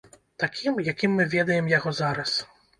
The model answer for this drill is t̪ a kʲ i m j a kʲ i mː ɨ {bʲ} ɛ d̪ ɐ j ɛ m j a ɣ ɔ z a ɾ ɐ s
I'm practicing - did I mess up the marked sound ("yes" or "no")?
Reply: yes